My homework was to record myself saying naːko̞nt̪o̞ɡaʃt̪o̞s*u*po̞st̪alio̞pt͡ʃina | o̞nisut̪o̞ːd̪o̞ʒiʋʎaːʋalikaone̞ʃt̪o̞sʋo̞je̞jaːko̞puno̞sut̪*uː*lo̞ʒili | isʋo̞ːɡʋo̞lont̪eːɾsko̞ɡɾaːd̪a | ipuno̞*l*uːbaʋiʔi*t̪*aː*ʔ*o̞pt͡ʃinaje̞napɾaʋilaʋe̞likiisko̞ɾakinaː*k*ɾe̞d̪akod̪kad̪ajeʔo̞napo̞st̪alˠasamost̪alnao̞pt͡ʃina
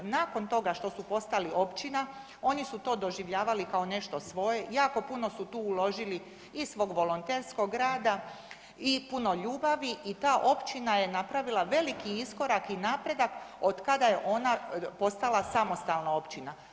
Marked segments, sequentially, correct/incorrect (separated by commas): correct, correct, incorrect, correct, correct, incorrect